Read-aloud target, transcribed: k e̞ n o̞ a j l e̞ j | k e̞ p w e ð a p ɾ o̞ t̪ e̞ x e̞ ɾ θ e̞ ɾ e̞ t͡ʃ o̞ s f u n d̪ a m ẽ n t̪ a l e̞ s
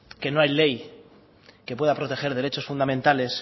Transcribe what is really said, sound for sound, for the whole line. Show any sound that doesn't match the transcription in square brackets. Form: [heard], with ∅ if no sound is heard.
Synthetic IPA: k e̞ n o̞ a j l e̞ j | k e̞ p w e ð a p ɾ o̞ t̪ e̞ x e̞ ɾ [ð] e̞ ɾ e̞ t͡ʃ o̞ s f u n d̪ a m ẽ n t̪ a l e̞ s